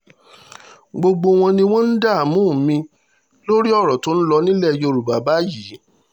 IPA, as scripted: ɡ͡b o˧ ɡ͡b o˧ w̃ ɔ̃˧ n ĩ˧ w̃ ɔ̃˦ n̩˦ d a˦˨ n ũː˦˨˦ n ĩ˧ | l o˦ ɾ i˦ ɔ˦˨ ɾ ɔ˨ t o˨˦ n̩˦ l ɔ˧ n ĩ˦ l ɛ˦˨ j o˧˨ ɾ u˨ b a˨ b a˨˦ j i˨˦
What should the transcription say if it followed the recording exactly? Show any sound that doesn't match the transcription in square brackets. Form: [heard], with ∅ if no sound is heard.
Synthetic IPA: ɡ͡b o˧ ɡ͡b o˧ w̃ ɔ̃˧ n ĩ˧ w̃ ɔ̃˦ n̩˦ d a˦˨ [m] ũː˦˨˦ [m] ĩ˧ | l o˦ ɾ i˦ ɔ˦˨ ɾ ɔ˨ t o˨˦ n̩˦ l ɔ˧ n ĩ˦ l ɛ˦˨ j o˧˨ ɾ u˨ b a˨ b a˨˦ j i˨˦